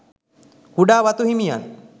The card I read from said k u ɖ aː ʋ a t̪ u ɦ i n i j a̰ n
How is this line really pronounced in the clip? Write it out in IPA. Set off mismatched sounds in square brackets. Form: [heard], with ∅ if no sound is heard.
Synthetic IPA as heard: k u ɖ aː ʋ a t̪ u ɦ i [m] i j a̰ n